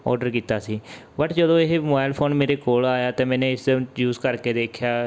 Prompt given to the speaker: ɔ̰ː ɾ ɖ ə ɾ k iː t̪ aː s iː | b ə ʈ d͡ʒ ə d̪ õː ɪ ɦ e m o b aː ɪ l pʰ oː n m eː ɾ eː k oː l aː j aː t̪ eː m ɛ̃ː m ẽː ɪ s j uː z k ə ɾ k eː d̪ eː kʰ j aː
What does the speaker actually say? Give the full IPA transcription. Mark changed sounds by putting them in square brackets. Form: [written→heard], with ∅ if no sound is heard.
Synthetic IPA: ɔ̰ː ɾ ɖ ə ɾ k iː t̪ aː s iː | b ə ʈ d͡ʒ ə d̪ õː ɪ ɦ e m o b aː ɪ l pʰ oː n m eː ɾ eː k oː l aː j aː t̪ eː m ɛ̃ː [m→n] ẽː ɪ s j uː z k ə ɾ k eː d̪ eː kʰ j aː